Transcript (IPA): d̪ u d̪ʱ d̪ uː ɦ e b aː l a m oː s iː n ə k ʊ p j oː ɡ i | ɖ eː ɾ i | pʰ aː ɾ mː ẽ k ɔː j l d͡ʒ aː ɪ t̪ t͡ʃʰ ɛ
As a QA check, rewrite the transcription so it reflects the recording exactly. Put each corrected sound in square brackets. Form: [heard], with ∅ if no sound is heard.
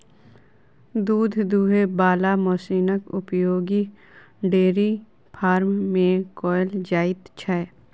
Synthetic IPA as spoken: d̪ [uː] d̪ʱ d̪ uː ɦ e b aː l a m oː s iː n ə k ʊ p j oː ɡ i | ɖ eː ɾ i | pʰ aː ɾ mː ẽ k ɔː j l d͡ʒ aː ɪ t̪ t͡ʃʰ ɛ